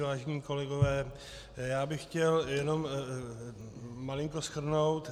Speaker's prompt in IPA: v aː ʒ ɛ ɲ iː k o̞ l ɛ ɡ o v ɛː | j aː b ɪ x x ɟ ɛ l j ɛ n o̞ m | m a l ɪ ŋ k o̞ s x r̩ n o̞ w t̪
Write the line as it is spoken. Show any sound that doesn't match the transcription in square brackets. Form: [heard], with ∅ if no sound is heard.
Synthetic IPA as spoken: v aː ʒ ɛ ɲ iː k o̞ l ɛ ɡ o v ɛː | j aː b ɪ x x [c] ɛ l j ɛ n o̞ m | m a l ɪ ŋ k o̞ s x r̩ n o̞ w t̪

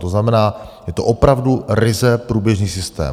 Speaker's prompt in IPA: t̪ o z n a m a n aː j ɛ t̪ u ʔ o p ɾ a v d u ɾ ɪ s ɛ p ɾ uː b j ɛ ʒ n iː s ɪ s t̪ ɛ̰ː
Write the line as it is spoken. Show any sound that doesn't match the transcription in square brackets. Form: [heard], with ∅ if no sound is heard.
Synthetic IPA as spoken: t̪ o z n a m [ɛ] n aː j ɛ t̪ [o] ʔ o p ɾ a v d u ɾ ɪ [z] ɛ p ɾ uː b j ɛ ʒ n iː s ɪ s t̪ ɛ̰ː

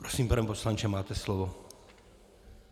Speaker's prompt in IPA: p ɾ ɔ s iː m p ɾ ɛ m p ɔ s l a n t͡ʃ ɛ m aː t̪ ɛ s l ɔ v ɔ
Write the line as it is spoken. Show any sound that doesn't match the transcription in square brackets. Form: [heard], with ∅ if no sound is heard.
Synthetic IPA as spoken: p ɾ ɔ s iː m p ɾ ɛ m p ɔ s l a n t͡ʃ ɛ m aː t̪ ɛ s l ɔ [ʋ] ɔ

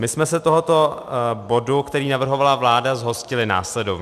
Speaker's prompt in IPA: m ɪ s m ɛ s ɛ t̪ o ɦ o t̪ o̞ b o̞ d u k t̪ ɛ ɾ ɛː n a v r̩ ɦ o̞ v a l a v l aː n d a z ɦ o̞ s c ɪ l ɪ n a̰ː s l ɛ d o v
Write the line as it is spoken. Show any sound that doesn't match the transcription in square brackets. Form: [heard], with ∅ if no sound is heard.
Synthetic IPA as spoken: m ɪ s m ɛ s ɛ t̪ o ɦ o t̪ o̞ b o̞ d u k t̪ ɛ ɾ [iː] n a v r̩ ɦ o̞ v a l a v l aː [∅] d a z ɦ o̞ s c ɪ l ɪ n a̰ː s l ɛ d o v

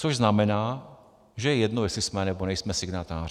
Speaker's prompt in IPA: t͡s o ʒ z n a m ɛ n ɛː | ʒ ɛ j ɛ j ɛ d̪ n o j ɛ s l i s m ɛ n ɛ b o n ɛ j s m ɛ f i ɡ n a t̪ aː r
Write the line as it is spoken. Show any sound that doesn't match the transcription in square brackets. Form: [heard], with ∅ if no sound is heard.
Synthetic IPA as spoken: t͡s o ʒ z n a m ɛ n [aː] | ʒ ɛ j ɛ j ɛ d̪ n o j ɛ s l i s m ɛ n ɛ b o n ɛ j s m ɛ [s] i ɡ n a t̪ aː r

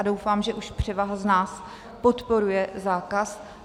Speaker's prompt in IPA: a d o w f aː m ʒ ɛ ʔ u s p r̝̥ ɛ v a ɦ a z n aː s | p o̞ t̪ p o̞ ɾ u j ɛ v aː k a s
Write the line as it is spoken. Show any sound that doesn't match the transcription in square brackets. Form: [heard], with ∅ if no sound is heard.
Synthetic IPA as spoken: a d o w f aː m ʒ ɛ ʔ u [ʃ] p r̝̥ ɛ v a ɦ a z n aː s | p o̞ t̪ p o̞ ɾ u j ɛ [z] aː k a s

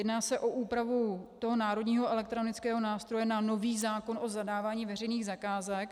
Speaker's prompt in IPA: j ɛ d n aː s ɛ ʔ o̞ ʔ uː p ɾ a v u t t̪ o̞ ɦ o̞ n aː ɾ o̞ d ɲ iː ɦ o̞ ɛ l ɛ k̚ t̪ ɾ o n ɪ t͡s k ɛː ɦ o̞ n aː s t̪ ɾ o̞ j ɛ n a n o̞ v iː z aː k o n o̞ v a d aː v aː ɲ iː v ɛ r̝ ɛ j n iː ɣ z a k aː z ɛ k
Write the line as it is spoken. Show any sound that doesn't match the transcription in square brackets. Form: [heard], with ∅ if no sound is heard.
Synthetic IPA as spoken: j ɛ d n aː s ɛ ʔ o̞ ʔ uː p ɾ a v u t t̪ o̞ ɦ o̞ n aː ɾ o̞ d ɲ iː ɦ o̞ ɛ l ɛ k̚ t̪ ɾ o n ɪ t͡s k ɛː ɦ o̞ n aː s t̪ ɾ o̞ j ɛ n a n o̞ v iː z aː k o n o̞ [z] a d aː v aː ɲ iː v ɛ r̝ ɛ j n iː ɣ z a k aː z ɛ k

